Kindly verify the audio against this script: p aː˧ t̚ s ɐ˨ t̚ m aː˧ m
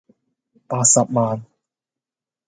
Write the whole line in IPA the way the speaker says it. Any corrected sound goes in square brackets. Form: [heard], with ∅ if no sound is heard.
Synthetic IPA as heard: p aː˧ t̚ s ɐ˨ [p̚] m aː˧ [n]